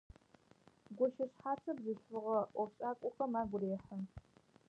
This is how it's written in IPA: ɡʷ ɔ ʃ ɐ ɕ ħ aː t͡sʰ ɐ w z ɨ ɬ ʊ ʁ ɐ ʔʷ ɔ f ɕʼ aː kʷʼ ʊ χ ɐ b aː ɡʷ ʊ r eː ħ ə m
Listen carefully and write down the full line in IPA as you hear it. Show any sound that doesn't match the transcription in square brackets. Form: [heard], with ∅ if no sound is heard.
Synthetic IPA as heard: ɡʷ ɔ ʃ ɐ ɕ ħ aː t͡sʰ ɐ [b] z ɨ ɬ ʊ ʁ ɐ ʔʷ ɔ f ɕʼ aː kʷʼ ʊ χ ɐ [m] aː ɡʷ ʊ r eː ħ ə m